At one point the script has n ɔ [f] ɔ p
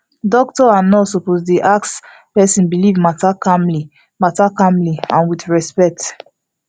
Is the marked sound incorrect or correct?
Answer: incorrect